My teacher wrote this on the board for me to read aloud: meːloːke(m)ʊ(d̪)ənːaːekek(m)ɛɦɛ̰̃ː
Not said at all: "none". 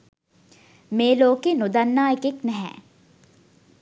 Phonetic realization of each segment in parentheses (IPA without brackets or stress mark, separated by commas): n, d̪, n